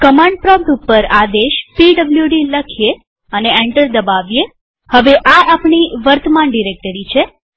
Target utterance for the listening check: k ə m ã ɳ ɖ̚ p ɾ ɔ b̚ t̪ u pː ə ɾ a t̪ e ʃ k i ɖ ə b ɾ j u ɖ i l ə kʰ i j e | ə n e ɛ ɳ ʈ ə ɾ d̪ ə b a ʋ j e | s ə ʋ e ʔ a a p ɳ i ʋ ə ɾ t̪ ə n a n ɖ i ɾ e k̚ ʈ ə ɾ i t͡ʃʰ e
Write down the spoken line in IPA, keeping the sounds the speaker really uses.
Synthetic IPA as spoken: k ə m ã ɳ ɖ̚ p ɾ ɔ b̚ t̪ u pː ə ɾ a d̪ e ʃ p i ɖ ə b l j u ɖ i l ə kʰ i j e | ə n e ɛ ɳ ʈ ə ɾ d̪ ə b a ʋ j e | h ə ʋ e ʔ a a p ɳ i ʋ ə ɾ t̪ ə m a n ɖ i ɾ e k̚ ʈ ə ɾ i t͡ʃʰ e